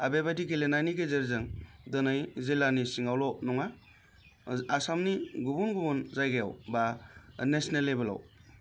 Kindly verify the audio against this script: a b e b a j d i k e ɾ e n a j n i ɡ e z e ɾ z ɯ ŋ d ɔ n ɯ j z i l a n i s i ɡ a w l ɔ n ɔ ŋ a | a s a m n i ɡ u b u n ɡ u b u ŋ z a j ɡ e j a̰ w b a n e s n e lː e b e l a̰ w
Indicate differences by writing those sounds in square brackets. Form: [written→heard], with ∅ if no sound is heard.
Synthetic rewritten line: a b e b a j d i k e [ɾ→l] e n a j n i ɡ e z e ɾ z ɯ ŋ d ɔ n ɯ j z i l a n i s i [ɡ→ŋ] a w l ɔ n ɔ ŋ a | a s a m n i ɡ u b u n ɡ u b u [ŋ→n] z a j ɡ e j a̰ w b a n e s n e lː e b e l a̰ w